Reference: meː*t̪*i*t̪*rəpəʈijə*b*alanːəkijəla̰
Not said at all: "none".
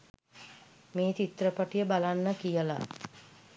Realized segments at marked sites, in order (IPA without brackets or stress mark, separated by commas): t̪, t̪, b